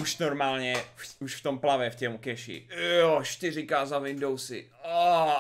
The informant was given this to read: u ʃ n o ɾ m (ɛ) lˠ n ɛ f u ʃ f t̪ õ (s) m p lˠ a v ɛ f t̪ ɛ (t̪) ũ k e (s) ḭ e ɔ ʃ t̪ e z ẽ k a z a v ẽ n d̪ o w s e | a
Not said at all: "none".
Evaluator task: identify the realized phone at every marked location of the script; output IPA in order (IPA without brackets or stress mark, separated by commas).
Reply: a, none, none, ʃ